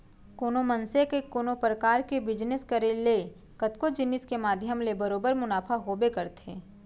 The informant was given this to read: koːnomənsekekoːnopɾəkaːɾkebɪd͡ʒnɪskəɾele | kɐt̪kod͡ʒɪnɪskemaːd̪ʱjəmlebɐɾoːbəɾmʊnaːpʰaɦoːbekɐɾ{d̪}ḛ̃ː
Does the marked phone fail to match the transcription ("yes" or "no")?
yes